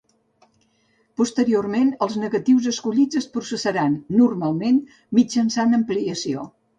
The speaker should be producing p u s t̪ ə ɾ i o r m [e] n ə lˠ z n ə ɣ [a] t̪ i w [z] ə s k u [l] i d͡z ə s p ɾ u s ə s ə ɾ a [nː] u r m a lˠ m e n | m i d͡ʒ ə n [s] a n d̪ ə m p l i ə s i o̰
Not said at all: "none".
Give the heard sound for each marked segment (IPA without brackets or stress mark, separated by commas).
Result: e, ə, z, ʎ, nː, s